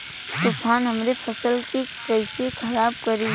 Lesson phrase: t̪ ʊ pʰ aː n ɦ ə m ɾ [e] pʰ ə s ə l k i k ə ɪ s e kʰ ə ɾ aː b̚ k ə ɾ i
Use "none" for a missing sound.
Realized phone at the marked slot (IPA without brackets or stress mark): e